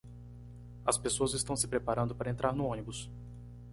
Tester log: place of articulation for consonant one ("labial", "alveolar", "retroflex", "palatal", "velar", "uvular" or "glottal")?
alveolar